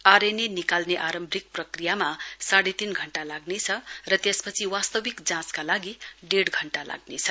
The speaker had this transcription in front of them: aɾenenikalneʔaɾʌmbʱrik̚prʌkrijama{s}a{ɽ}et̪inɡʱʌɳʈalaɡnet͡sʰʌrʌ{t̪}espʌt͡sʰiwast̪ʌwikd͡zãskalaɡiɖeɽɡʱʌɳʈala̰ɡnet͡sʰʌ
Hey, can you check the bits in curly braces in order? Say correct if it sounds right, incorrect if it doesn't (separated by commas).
correct, correct, correct